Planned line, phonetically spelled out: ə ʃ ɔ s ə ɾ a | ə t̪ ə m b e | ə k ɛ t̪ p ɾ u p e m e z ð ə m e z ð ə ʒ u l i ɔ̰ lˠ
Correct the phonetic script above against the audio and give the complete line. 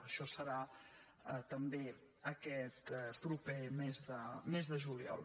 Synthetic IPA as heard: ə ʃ ɔ s ə ɾ a | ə t̪ ə m b e | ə k ɛ t̪ p ɾ u p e m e z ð ə m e z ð ə ʒ u l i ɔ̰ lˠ